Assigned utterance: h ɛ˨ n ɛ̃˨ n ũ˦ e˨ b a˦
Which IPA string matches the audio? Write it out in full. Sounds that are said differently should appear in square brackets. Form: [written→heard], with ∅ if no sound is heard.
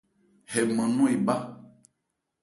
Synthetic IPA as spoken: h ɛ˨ [n→m] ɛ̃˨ n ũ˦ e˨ b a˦

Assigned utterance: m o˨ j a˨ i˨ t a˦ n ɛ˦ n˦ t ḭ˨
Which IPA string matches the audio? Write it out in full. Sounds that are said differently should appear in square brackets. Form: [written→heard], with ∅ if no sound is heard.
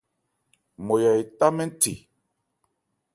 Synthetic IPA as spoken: m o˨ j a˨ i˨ t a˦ [n→m] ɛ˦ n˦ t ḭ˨

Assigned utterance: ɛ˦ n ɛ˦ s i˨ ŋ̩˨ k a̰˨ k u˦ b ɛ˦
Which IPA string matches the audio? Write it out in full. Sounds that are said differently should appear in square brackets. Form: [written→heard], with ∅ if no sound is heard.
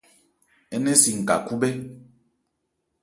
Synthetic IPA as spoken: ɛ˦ n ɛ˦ s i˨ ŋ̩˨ k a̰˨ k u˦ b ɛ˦

